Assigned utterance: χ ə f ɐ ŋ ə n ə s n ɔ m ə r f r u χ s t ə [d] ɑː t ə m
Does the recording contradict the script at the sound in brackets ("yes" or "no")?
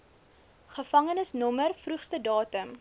no